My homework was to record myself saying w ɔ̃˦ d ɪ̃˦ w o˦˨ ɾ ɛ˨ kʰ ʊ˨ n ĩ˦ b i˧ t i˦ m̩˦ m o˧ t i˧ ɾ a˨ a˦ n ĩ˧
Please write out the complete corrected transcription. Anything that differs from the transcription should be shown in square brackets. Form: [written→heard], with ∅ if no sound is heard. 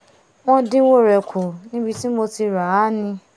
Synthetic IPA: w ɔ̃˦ d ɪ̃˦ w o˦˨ ɾ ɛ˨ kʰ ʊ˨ n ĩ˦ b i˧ t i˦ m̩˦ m o˧ t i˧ ɾ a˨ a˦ n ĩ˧